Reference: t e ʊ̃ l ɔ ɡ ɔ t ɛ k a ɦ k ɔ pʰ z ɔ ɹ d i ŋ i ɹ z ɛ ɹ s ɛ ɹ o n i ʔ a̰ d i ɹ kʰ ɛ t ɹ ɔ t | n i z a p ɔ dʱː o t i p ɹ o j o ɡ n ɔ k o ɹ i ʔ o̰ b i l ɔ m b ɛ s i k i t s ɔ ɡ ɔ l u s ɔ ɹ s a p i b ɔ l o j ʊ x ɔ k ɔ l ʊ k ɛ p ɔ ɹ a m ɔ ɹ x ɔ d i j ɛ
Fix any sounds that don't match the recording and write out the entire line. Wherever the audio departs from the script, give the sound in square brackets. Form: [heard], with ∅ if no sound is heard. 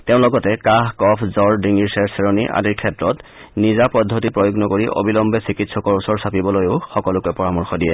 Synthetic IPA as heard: t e ʊ̃ l ɔ ɡ ɔ t ɛ k a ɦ k ɔ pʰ z ɔ ɹ d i ŋ i ɹ [s] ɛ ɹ s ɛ ɹ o n i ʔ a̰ d i ɹ kʰ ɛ t ɹ ɔ t | n i z a p ɔ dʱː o t i p ɹ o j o ɡ n ɔ k o ɹ i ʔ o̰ b i l ɔ m b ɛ s i k i t s ɔ [k] ɔ [ɹ] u s ɔ ɹ s a p i b ɔ l o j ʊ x ɔ k ɔ l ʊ k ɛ p ɔ ɹ a m ɔ ɹ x ɔ d i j ɛ